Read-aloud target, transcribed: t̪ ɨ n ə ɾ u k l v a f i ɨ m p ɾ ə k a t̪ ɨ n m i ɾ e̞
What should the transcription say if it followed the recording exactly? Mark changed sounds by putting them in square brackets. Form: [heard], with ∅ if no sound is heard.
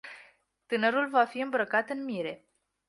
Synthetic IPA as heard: t̪ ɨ n ə ɾ u [∅] l v a f i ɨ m [b] ɾ ə k a t̪ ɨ n m i ɾ e̞